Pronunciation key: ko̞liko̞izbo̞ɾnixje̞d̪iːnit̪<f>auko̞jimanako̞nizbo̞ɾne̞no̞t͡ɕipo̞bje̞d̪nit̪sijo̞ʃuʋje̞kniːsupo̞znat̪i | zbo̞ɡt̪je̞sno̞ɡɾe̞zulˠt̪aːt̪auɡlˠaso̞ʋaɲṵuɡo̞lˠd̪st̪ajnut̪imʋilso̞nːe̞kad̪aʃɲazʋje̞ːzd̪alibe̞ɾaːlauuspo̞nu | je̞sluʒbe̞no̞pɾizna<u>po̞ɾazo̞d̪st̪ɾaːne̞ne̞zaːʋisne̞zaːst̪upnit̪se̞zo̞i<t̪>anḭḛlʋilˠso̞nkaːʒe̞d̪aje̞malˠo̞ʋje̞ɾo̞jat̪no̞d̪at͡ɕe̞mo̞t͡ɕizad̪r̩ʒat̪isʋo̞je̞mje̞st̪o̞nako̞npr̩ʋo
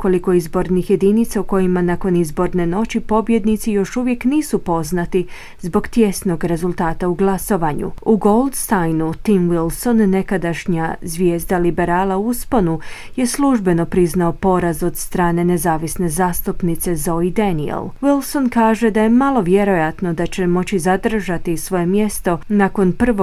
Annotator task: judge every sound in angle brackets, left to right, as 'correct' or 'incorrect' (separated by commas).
incorrect, incorrect, incorrect